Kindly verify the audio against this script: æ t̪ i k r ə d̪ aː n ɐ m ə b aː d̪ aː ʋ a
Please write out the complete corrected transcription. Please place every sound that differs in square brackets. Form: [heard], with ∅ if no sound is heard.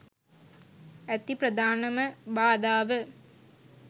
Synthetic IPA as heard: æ t̪ i [p] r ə d̪ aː n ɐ m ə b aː d̪ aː ʋ [ə]